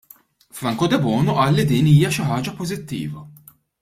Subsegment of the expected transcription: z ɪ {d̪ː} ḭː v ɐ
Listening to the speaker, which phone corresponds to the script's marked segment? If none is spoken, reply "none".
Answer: t̪ː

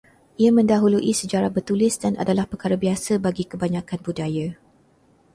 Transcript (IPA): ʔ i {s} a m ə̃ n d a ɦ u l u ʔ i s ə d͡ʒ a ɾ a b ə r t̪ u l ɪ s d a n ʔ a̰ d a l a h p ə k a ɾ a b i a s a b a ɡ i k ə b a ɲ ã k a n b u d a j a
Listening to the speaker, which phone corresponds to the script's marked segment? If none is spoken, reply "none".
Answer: none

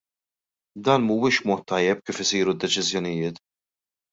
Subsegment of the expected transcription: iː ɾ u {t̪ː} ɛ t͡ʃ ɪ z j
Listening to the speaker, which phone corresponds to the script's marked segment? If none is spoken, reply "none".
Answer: d̪ː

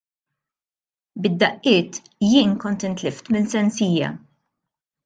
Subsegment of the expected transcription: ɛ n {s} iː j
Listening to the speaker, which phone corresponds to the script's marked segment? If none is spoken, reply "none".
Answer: s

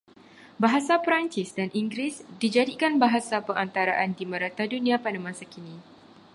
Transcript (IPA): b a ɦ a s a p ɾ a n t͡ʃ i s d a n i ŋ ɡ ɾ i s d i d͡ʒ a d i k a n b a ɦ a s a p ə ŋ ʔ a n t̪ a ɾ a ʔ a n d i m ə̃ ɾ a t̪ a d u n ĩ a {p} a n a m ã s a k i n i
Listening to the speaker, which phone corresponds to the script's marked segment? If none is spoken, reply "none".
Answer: p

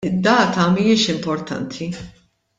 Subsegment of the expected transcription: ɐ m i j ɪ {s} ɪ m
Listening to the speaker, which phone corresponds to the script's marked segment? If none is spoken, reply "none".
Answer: ʃ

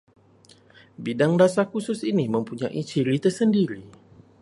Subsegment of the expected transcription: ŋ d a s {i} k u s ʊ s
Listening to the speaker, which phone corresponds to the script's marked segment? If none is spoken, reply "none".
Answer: a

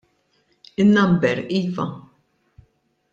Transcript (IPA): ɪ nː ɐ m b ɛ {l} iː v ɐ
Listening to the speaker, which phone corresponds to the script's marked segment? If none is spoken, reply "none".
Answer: ɾ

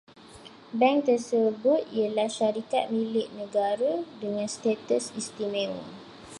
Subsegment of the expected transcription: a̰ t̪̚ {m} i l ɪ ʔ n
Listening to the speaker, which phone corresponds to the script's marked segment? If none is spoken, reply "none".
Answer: m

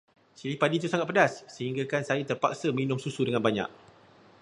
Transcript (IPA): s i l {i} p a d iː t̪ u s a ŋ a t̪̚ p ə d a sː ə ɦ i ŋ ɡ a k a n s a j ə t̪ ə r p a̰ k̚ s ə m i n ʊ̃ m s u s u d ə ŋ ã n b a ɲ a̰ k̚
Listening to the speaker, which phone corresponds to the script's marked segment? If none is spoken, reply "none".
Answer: i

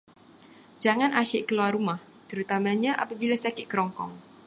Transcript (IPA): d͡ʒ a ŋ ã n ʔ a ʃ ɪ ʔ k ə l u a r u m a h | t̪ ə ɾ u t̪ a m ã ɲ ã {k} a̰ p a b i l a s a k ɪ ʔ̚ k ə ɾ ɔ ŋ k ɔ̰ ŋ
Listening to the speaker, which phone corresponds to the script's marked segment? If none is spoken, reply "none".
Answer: ʔ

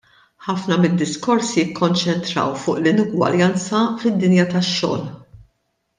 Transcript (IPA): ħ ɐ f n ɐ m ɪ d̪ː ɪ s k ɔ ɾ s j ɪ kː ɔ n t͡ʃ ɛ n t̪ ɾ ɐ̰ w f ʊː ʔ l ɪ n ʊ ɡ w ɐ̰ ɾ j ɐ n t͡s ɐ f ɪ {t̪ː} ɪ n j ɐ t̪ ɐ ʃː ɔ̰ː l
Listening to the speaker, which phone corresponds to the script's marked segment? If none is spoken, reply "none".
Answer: d̪ː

